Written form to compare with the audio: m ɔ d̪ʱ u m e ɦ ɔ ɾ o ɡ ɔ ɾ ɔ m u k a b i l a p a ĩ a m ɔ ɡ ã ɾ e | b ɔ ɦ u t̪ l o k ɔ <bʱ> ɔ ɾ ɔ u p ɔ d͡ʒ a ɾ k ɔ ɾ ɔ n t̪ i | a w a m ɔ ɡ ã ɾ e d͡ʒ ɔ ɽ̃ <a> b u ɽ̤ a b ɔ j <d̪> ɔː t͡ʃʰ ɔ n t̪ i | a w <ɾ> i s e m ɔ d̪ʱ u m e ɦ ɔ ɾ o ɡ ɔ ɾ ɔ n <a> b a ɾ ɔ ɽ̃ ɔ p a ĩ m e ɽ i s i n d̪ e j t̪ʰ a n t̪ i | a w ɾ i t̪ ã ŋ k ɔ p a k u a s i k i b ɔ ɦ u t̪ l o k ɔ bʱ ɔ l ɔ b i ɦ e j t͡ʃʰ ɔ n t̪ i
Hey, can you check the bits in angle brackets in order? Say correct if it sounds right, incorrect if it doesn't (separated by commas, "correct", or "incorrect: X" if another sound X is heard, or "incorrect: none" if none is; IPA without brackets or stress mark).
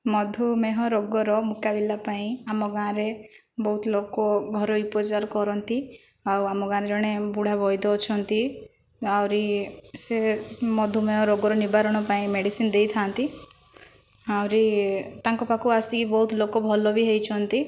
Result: incorrect: ɡʱ, incorrect: e, correct, correct, incorrect: i